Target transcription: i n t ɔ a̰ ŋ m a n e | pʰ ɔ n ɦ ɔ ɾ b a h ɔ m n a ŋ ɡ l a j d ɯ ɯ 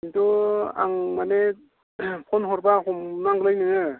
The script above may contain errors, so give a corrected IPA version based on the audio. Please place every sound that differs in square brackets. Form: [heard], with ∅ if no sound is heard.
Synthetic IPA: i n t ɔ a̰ ŋ m a n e | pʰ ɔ n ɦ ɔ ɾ b a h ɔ m n a ŋ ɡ l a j [n] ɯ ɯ